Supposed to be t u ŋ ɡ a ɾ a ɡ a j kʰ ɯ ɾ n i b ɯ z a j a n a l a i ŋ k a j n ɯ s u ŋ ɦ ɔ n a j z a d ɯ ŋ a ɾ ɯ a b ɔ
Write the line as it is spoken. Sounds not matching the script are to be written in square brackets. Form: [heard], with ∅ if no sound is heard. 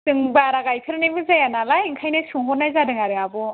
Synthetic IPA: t [ɯ] ŋ [b] a ɾ a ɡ a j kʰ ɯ ɾ n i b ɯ z a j a n a l a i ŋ [kʰ] a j n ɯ s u ŋ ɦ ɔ n a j z a d ɯ ŋ a ɾ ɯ a b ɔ